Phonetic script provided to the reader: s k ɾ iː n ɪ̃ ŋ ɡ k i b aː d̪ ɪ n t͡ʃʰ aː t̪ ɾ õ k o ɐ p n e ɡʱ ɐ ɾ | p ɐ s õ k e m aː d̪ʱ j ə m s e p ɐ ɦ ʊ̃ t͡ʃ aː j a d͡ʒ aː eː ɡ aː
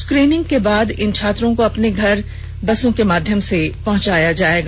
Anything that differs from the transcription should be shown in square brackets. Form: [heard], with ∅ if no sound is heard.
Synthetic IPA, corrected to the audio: s k ɾ iː n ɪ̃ ŋ ɡ k [e] b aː d̪ ɪ n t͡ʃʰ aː t̪ ɾ õ k o ɐ p n e ɡʱ ɐ ɾ | [b] ɐ s õ k e m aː d̪ʱ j ə m s e p ɐ ɦ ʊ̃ t͡ʃ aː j a d͡ʒ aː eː ɡ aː